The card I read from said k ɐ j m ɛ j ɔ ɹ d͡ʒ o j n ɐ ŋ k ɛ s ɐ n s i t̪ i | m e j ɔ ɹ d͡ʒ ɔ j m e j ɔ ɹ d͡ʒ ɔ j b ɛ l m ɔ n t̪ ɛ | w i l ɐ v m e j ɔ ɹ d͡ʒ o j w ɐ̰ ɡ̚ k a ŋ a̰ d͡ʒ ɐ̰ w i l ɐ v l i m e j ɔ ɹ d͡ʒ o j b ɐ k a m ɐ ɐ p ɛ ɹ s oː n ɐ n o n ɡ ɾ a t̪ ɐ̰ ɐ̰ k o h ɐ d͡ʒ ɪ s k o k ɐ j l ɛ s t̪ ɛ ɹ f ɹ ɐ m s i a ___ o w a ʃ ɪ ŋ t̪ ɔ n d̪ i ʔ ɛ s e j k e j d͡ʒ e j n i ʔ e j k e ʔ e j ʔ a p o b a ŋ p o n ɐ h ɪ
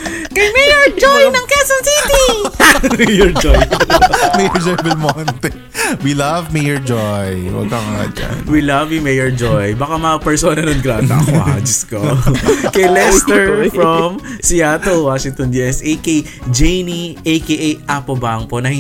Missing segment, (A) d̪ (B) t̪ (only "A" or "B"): B